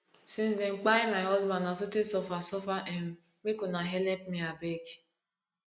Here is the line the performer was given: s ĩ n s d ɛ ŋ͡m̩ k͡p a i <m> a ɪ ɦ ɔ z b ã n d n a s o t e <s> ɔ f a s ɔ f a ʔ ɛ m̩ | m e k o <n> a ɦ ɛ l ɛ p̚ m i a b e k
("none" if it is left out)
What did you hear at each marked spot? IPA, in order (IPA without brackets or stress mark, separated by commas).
m, s, n